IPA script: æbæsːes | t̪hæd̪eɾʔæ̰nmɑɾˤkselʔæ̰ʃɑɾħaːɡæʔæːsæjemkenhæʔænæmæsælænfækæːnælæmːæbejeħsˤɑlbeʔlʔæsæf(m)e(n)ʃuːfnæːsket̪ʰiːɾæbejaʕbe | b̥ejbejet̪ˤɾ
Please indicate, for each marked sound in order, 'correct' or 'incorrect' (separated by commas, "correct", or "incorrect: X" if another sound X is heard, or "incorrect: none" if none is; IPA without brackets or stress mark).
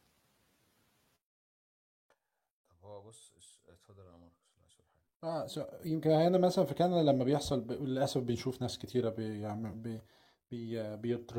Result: incorrect: b, correct